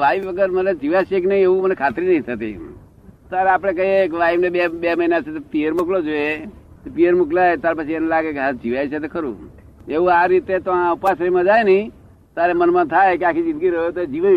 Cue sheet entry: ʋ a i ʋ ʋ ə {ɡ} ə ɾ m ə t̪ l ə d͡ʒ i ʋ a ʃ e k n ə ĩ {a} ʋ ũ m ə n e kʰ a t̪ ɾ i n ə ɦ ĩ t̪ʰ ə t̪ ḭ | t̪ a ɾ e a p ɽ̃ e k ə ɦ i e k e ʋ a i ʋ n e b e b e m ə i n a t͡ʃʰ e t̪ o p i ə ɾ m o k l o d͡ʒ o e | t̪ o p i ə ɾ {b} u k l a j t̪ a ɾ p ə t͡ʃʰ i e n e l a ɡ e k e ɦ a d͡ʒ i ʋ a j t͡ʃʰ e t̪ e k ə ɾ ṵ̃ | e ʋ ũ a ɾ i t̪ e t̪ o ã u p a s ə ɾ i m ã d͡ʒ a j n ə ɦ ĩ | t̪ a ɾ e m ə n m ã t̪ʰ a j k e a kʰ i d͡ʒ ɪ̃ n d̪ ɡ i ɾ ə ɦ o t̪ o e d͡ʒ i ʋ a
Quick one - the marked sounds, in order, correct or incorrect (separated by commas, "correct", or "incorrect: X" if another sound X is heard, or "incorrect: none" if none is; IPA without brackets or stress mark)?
correct, incorrect: e, incorrect: m